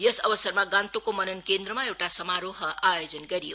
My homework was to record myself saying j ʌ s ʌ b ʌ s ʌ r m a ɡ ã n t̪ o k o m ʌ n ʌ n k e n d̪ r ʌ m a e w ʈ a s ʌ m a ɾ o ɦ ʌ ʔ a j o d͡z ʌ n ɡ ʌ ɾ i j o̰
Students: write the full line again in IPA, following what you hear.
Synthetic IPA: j ʌ s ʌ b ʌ s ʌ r m a ɡ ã n t̪ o k o m ʌ n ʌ n k e n d̪ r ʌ m a e w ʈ a s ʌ m a ɾ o ɦ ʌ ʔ a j o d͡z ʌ n ɡ ʌ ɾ i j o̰